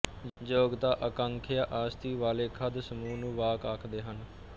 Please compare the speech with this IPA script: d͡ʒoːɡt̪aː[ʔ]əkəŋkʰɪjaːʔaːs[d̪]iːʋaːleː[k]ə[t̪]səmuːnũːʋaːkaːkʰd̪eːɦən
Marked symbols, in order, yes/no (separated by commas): yes, no, no, no